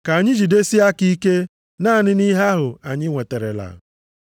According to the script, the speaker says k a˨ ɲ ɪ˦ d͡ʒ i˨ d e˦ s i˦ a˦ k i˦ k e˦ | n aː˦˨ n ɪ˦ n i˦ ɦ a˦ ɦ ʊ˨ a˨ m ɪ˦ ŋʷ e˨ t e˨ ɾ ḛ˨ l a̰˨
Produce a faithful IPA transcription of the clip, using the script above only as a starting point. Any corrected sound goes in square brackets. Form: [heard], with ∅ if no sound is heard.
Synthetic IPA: k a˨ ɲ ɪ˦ d͡ʒ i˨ d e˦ s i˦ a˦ k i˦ k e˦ | n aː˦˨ n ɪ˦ n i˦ ɦ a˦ ɦ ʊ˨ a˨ [ɲ] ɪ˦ ŋʷ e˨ t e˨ ɾ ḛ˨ l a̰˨